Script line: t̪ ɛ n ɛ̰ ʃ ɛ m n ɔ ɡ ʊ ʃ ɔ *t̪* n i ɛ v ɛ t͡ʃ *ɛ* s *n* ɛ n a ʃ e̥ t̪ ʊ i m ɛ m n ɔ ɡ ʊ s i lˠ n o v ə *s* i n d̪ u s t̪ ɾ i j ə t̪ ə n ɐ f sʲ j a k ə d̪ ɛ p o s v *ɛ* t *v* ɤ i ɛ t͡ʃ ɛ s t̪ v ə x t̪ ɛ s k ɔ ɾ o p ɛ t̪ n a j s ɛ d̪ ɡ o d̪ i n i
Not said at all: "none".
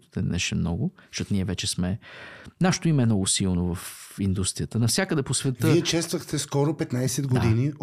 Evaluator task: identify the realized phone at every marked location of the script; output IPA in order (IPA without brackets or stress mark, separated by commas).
t̪, ɛ, m, f, ɛ, v